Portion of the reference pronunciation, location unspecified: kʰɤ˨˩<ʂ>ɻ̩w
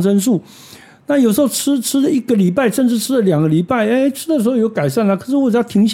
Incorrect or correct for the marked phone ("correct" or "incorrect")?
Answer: correct